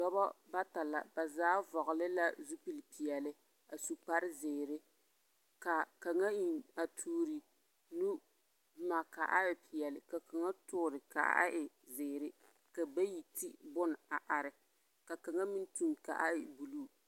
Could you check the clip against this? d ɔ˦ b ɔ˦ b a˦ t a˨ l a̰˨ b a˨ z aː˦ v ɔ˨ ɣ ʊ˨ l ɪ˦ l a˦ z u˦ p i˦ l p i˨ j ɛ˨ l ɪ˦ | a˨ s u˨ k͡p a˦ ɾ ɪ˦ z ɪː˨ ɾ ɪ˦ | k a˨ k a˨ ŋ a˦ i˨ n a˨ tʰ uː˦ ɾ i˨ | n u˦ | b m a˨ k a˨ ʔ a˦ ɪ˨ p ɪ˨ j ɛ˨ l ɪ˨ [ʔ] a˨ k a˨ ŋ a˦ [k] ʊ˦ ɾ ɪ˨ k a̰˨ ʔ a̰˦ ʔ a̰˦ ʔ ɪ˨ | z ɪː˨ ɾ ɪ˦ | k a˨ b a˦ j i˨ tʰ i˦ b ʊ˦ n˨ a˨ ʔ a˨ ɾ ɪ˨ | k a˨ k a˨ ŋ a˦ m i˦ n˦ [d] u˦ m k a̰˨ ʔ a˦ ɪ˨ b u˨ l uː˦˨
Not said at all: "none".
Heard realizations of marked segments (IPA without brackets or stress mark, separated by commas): k, t, t